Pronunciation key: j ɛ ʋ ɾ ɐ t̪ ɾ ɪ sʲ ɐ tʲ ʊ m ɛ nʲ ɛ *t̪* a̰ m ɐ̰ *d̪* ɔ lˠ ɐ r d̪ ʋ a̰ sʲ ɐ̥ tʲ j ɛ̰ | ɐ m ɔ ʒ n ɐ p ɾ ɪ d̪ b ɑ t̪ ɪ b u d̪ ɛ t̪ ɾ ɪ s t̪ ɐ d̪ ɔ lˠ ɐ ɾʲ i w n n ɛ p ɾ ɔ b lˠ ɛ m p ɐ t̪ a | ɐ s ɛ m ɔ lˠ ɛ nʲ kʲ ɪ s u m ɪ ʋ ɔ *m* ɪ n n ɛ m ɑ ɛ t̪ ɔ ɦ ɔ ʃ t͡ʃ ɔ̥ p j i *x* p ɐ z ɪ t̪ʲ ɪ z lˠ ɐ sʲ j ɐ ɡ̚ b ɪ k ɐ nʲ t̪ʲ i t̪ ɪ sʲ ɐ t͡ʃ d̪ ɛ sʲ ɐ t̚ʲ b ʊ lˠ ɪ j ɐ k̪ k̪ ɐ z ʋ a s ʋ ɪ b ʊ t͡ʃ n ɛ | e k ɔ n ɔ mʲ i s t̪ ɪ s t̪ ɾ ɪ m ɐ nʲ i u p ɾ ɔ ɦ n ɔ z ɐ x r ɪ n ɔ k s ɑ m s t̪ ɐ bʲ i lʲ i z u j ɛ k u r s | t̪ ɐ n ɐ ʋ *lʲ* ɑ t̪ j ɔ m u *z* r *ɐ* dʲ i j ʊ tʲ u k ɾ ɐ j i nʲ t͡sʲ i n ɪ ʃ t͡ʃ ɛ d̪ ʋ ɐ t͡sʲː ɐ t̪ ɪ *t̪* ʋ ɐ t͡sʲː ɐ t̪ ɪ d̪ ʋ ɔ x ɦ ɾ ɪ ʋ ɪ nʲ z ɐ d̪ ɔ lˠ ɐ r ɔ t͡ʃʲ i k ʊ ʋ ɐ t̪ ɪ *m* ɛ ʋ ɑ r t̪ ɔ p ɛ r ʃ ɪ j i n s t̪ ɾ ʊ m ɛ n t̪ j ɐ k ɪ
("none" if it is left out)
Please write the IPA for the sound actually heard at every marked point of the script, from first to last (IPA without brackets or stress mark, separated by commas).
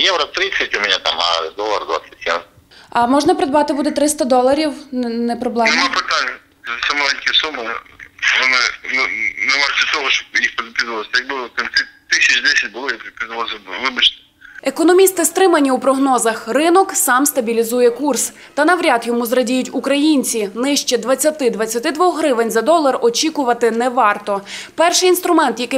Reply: t̪, d̪, n, x, ɾʲ, z, ɐ, d̪, n